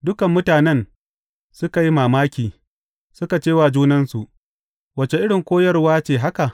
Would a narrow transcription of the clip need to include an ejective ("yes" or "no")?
no